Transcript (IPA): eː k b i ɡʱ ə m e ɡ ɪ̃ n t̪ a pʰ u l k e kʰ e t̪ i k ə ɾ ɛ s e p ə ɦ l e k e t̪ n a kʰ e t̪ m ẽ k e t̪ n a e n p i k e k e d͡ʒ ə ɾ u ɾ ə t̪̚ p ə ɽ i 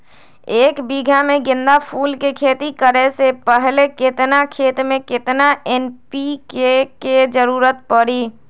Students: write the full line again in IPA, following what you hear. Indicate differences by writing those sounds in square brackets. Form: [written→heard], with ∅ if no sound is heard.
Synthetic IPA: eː k b i ɡʱ [ə→a] m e ɡ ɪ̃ n [t̪→d̪] a pʰ u l k e kʰ e t̪ i k ə ɾ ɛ s e p ə ɦ l e k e t̪ n a kʰ e t̪ m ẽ k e t̪ n a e n p i k e k e d͡ʒ ə ɾ u ɾ ə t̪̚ p ə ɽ i